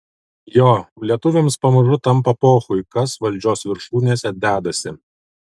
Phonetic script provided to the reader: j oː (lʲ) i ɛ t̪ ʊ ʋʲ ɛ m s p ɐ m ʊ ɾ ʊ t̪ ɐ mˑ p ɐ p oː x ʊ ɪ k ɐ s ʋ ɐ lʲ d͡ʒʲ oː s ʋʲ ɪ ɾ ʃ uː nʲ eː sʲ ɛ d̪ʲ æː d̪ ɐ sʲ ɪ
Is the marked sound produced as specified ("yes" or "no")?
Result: yes